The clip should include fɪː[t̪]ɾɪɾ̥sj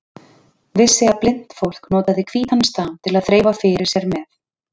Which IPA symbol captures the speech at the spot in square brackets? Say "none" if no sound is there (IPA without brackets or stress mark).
none